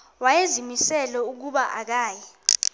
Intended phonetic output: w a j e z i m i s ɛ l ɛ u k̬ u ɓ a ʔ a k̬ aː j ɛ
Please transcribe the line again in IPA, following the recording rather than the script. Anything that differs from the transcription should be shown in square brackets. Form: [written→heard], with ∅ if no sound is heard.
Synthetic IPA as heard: w a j e z i m i s ɛ l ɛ u k̬ u ɓ a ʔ a k̬ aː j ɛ